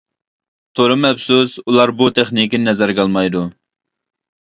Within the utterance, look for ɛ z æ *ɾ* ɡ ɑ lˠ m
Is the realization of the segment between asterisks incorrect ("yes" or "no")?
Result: no